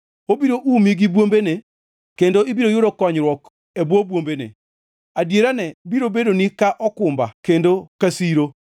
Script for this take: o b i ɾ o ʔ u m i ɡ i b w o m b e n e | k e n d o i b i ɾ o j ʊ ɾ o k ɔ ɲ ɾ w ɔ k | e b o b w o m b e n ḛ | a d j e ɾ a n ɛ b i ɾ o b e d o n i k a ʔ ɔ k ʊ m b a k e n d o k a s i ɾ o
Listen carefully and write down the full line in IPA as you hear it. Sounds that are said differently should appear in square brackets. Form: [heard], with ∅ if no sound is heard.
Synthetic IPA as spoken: o b i ɾ o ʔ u m i ɡ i b w o m b e n e | k e n d o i b i ɾ o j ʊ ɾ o k ɔ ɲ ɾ w ɔ k | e b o b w o m b e n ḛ | a d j e ɾ a n ɛ b i ɾ o b e d o n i k a ʔ ɔ k ʊ m b a k e n d o k a s i ɾ o